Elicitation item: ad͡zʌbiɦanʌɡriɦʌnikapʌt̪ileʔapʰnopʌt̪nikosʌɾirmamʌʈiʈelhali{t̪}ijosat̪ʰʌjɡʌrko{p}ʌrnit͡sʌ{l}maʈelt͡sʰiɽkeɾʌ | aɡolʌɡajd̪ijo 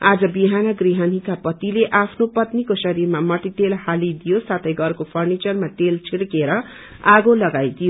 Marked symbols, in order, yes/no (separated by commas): no, no, no